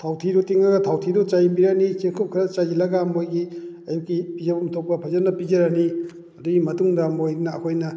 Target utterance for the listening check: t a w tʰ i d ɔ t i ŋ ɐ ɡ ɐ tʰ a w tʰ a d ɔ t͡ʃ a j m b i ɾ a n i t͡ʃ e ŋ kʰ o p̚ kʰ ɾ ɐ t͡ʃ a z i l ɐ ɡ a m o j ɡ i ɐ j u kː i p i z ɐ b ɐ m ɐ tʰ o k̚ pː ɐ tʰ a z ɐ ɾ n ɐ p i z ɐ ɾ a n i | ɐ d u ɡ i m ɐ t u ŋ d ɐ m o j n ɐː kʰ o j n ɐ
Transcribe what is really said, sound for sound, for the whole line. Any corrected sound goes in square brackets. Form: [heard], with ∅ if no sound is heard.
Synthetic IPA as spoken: [tʰ] a w tʰ i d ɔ t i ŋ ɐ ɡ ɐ tʰ a w tʰ [i] d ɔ t͡ʃ a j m b i ɾ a n i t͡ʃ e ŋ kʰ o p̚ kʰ ɾ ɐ t͡ʃ a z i l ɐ ɡ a m o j ɡ i ɐ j u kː i p i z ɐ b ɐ m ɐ tʰ o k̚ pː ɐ [pʰ] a z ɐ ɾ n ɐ p i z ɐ ɾ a n i | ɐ d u ɡ i m ɐ t u ŋ d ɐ m o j n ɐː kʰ o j n ɐ